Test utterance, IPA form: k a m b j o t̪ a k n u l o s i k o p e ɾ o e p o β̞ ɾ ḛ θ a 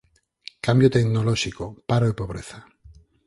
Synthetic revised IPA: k a m b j o t̪ e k n o l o ʃ i k o p a ɾ o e p o β̞ ɾ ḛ θ a